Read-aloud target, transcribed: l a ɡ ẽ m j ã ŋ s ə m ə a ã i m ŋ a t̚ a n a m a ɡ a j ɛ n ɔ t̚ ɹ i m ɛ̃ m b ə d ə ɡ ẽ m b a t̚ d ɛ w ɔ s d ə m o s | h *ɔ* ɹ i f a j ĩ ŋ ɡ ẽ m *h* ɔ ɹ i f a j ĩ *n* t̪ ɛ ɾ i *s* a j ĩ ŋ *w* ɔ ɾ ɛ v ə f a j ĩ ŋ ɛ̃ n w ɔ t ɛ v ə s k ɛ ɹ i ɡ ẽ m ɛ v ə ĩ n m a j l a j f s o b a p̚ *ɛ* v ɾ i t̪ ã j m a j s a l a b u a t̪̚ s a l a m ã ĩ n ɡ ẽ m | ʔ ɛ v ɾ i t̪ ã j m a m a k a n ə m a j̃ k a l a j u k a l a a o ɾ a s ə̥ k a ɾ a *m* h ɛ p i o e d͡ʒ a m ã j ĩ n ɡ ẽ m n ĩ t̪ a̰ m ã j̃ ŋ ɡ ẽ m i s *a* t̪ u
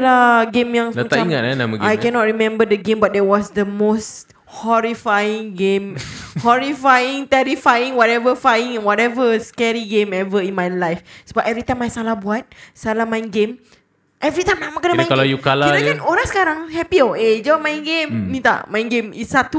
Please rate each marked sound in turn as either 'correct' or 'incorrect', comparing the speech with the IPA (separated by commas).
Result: correct, correct, incorrect, incorrect, correct, correct, incorrect, correct